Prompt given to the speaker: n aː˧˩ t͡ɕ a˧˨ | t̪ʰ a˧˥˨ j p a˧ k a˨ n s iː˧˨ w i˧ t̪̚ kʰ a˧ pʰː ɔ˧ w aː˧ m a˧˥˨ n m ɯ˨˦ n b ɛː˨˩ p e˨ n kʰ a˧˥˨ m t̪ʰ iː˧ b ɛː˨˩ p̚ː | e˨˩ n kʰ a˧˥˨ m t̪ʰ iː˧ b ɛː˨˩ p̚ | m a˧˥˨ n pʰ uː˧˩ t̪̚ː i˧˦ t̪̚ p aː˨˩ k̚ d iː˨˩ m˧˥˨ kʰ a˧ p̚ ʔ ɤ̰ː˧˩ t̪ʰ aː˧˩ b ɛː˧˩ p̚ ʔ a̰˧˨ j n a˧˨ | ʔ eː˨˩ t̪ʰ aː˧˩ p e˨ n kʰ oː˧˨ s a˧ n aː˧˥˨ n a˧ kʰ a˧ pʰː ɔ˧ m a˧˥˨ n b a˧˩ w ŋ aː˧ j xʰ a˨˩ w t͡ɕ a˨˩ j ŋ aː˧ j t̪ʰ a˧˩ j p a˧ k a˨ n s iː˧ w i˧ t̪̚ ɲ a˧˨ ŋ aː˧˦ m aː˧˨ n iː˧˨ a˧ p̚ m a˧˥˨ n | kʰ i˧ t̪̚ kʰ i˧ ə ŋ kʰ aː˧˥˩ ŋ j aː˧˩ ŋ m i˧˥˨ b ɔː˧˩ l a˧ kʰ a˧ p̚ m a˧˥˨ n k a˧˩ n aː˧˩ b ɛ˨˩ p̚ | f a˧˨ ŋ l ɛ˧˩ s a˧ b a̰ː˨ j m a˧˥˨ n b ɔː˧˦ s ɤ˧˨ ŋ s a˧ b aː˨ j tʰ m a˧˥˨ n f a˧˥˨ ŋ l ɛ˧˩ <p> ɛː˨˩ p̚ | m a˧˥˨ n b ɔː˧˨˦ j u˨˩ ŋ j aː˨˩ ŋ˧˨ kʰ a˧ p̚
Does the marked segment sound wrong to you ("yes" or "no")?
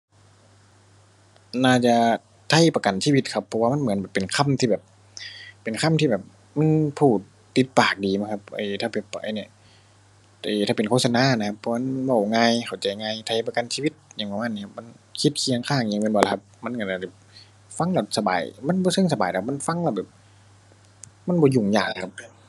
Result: yes